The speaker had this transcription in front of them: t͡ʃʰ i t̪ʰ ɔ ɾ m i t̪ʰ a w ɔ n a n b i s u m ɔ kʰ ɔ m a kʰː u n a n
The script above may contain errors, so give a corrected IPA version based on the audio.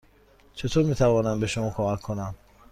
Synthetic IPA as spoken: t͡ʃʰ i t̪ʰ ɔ ɾ m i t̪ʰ a v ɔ n a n b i ʃ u m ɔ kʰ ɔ m a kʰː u n a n